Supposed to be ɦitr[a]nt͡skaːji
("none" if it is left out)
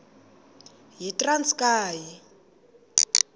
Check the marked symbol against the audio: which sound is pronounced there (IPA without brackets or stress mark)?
a